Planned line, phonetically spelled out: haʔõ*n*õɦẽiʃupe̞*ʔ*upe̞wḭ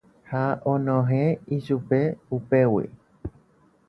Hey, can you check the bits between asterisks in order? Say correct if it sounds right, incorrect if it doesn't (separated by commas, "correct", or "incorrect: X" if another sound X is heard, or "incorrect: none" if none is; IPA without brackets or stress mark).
correct, incorrect: none